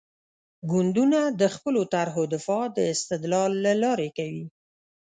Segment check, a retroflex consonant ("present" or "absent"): absent